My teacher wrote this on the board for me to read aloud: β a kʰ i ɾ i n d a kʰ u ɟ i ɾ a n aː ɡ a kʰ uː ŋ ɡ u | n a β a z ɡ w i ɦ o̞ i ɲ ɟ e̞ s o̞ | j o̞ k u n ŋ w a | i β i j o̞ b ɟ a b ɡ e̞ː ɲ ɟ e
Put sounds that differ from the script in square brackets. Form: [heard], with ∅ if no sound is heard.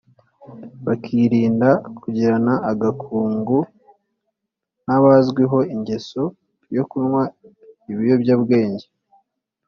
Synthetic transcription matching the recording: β a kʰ i ɾ [iː] n d a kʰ u ɟ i ɾ a n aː ɡ a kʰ uː ŋ ɡ u | n a β a z ɡ w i ɦ o̞ i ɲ ɟ e̞ s o̞ | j o̞ k u n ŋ w a | i β i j o̞ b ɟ a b ɡ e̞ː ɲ ɟ e

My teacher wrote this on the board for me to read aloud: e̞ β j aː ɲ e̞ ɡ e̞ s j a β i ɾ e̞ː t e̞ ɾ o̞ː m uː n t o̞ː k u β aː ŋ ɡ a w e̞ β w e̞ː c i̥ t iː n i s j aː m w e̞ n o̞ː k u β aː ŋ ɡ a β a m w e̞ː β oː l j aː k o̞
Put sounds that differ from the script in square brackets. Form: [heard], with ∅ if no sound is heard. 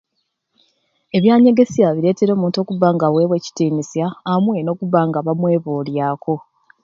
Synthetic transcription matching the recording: e̞ β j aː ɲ e̞ ɡ e̞ s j a β i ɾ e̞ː t e̞ ɾ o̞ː m uː n t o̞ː k u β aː ŋ ɡ a w e̞ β w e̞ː c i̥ t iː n i s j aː m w e̞ n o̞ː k u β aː ŋ ɡ a β a m w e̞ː β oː l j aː k o̞

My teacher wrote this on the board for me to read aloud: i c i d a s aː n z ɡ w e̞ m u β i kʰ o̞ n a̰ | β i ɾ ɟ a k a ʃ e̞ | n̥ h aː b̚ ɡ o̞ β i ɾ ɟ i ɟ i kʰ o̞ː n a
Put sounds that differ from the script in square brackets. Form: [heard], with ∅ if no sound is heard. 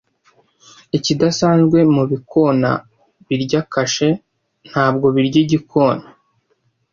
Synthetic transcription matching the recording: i c i d a s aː n z ɡ w e̞ m u β i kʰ o̞ n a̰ | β i ɾ ɟ a k a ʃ e̞ | n̥ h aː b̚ ɡ o̞ β i ɾ ɟ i ɟ i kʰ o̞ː n a

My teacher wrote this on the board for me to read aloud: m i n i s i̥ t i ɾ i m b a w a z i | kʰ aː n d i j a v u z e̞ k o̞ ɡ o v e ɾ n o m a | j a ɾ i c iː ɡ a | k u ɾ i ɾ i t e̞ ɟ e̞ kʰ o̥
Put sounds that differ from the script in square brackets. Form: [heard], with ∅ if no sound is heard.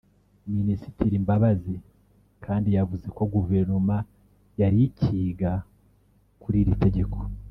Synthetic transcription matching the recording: m i n i s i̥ t i ɾ i m b a [β] a z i | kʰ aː n d i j a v u z e̞ k o̞ ɡ [u] v e ɾ n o m a | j a ɾ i c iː ɡ a | k u ɾ i ɾ i t e̞ ɟ e̞ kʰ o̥

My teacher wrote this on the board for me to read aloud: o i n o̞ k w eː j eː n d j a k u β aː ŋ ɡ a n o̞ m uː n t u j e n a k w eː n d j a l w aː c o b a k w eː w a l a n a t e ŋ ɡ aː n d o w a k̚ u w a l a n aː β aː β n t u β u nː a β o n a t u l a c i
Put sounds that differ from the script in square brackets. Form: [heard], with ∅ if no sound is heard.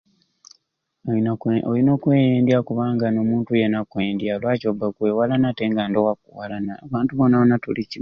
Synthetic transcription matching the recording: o i n o̞ k w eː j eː n d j a k u β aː ŋ ɡ a n o̞ m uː n t u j e n a k w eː n d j a l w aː c o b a k w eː w a l a n a t e ŋ ɡ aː n d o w a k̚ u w a l a n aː β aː [∅] n t u β [o] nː a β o n a t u l [i] c i

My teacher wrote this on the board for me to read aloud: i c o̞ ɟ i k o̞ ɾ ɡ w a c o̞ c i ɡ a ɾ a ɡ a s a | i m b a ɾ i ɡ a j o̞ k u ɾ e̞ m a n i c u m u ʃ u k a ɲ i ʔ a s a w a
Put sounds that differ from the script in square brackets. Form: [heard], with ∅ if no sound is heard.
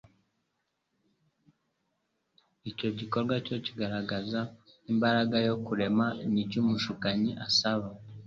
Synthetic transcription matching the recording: i c o̞ ɟ i k o̞ ɾ ɡ w a c o̞ c i ɡ a ɾ a ɡ a [z] a | i m b a ɾ [a] ɡ a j o̞ k u ɾ e̞ m a n i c u m u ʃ u k a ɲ i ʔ a s a [β] a

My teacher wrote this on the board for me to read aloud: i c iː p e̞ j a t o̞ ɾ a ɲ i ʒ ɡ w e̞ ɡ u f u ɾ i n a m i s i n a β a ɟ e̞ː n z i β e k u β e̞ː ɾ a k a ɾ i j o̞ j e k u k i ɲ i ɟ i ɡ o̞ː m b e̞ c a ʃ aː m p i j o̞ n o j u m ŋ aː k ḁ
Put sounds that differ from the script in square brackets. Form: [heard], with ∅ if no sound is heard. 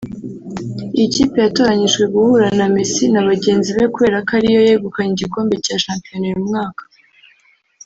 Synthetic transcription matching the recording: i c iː p e̞ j a t o̞ ɾ a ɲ i ʒ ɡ w e̞ ɡ u [h] u ɾ [a] n a m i s i n a β a ɟ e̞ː n z i β e k u β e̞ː ɾ a k a ɾ i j o̞ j e [ɡ] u k [a] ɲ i ɟ i [k] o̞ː m b e̞ c a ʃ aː m p i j o̞ n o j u m ŋ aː k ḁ

